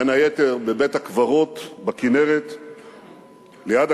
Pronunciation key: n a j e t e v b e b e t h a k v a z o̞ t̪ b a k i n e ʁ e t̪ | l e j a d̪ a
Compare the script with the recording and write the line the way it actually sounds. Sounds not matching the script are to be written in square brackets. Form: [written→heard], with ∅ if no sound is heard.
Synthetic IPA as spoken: n a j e t e [v→ʁ] b e b e t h a k v a [z→ʁ] o̞ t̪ b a k i n e ʁ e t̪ | l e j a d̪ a

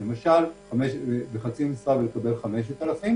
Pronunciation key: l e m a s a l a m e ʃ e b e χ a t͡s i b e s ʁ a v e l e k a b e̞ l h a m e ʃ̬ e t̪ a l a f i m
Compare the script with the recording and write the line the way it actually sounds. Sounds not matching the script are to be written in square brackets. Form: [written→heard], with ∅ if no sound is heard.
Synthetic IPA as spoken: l e m a [s→ʃ] a l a m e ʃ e b e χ a t͡s i [b→m] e s ʁ a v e l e k a b e̞ l [h→χ] a m e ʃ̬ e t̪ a l a f i m

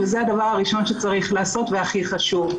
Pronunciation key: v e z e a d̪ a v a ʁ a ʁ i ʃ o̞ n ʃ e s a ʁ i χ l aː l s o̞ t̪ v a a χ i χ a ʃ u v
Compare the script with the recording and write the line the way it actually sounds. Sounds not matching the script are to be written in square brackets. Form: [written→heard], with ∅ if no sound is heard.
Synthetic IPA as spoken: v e z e a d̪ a v a ʁ a ʁ i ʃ o̞ n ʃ e [s→t͡s] a ʁ i χ l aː [l→∅] s o̞ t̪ v [a→e] a χ i χ a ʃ u v

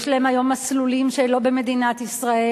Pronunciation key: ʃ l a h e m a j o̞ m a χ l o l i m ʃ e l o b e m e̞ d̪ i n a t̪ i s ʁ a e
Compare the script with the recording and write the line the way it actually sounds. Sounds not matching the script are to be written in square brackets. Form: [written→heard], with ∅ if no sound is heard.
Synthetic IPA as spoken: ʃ l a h e m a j o̞ m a [χ→s] l [o→u] l i m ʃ e l o b e m e̞ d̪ i n a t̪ i s ʁ a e

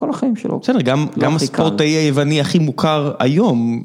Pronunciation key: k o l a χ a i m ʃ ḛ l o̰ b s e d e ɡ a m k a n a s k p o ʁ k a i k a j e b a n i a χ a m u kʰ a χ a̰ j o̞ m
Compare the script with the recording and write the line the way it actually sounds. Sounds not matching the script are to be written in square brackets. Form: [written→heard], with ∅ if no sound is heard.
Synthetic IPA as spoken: k o l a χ a i m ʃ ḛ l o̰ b s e d e ɡ a m [k→ɡ] a [n→m] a s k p o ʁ [k→t] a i [k→∅] a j e [b→v] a n i a χ [a→i] m u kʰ a [χ→ʁ] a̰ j o̞ m

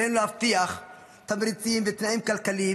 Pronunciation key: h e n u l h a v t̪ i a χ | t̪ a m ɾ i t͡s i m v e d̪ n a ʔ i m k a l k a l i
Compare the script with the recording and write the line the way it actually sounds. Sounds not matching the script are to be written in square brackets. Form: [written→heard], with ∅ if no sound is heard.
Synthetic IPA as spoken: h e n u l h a [v→f] t̪ i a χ | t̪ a m ɾ i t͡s i m v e [d̪→t̪] n a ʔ i m k a l k a l i

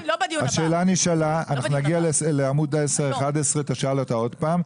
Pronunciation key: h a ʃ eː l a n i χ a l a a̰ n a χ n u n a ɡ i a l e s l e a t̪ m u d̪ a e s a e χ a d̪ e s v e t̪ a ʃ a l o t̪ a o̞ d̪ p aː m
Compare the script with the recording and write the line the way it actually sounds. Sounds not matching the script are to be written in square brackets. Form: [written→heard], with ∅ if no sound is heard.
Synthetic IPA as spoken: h a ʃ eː l a n i [χ→ʃ] a l a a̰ n a χ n u n a ɡ i a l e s l e a [t̪→∅] m u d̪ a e s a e χ a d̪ e s [v→ʁ] e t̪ a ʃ a l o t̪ a o̞ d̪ p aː m

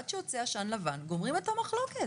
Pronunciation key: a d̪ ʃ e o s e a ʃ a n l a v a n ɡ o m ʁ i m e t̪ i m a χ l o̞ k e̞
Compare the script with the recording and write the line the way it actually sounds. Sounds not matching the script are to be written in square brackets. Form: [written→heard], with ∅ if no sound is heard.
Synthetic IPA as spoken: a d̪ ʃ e o [s→t͡s] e a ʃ a n l a v a n ɡ o m ʁ i m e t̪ [i→a] m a χ l o̞ k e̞

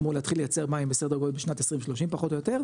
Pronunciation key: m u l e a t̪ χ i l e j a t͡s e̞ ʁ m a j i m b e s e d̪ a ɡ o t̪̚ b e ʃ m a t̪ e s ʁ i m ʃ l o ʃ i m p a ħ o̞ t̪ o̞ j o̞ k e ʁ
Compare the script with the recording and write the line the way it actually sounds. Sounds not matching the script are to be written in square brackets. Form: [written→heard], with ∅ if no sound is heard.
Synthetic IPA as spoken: m u l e a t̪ χ i l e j a t͡s e̞ ʁ m a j i m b e s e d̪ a ɡ o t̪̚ b e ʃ [m→n] a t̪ e s ʁ i m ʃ l o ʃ i m p a [ħ→χ] o̞ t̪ o̞ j o̞ [k→t] e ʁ

